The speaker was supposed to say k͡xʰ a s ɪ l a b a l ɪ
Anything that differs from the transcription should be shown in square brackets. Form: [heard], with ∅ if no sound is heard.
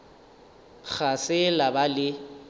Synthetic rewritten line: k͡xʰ a s ɪ l a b a l ɪ